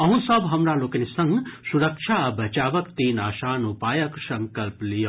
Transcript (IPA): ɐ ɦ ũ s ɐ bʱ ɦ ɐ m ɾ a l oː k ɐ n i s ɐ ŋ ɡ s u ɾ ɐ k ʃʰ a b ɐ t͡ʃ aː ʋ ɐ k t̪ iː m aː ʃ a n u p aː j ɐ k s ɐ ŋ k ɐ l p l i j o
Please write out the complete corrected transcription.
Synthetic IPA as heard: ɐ ɦ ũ s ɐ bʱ ɦ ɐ m ɾ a l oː k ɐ n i s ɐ ŋ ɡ s u ɾ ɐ k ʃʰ a b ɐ t͡ʃ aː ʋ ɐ k t̪ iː n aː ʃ a n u p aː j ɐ k s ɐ ŋ k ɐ l p l i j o